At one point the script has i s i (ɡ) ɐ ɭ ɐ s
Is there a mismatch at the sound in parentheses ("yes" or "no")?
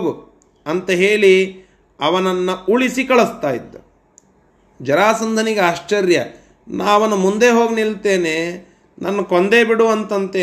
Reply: yes